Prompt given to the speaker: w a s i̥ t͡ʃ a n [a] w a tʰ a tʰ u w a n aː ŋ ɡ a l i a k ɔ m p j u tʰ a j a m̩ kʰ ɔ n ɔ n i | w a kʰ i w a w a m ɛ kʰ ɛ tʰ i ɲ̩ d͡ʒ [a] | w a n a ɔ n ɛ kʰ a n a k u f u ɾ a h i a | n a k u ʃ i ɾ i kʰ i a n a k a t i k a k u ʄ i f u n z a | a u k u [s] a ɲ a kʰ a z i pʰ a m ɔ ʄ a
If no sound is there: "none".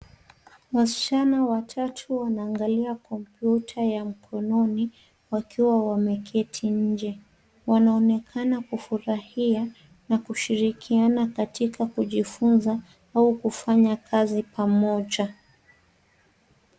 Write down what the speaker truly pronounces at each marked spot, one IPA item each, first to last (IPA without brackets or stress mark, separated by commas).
a, ɛ, f